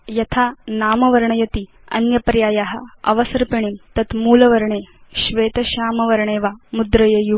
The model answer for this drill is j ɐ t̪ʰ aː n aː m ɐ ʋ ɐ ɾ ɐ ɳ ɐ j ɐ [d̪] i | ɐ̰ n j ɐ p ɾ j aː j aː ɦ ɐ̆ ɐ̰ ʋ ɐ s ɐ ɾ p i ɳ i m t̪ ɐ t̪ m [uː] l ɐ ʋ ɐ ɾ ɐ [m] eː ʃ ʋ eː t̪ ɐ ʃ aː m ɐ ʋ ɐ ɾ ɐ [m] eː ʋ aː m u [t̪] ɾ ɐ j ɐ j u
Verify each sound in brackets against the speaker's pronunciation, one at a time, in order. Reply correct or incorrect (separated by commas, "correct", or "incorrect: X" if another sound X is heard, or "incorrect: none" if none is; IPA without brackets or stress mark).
incorrect: t̪, correct, incorrect: ɳ, incorrect: ɳ, incorrect: d̪